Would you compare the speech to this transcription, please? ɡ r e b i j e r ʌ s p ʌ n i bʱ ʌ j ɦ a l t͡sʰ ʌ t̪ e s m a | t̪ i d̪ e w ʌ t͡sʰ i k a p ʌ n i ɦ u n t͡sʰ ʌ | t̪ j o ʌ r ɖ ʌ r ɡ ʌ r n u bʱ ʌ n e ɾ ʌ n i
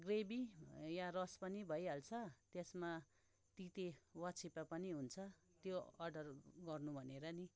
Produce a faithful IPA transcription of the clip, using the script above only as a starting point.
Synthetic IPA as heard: ɡ r e b i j a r ʌ s p ʌ n i bʱ ʌ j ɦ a l t͡sʰ ʌ t̪ e s m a | t̪ i t̪ e w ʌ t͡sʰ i p a p ʌ n i ɦ u n t͡sʰ ʌ | t̪ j o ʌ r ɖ ʌ r ɡ ʌ r n u bʱ ʌ n e ɾ ʌ n i

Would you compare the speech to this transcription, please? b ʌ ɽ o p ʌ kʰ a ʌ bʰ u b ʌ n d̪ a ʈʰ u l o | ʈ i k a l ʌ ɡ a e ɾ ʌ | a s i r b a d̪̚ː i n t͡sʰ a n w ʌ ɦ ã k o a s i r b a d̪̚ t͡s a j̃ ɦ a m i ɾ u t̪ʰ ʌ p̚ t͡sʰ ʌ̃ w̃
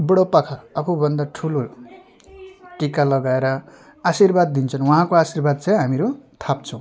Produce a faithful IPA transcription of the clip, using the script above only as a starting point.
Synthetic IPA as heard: b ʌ ɽ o p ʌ kʰ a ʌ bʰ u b ʌ n d̪ a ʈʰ u l o | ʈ i k a l ʌ ɡ a e ɾ ʌ | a s i r b a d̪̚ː i n t͡sʰ ʌ n w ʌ ɦ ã k o a s i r b a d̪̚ t͡s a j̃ ɦ a m i ɾ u t̪ʰ a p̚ t͡sʰ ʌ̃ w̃

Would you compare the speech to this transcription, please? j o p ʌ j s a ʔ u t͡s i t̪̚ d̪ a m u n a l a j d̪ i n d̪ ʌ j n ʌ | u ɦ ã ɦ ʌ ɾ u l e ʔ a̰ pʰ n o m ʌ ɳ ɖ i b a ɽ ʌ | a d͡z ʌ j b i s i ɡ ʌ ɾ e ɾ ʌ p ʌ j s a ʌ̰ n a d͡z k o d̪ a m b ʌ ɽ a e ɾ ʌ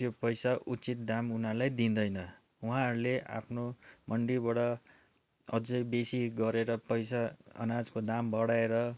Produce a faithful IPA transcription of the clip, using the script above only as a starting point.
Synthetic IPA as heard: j o p ʌ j s a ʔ u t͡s i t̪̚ d̪ a m u n a l a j d̪ i n d̪ ʌ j n ʌ | u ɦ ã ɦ ʌ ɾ u l e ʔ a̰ pʰ n o m ʌ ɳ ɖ i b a ɽ ʌ | ʌ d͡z ʌ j b e s i ɡ ʌ ɾ e ɾ ʌ p ʌ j s a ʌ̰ n a d͡z k o d̪ a m b ʌ ɽ a e ɾ ʌ

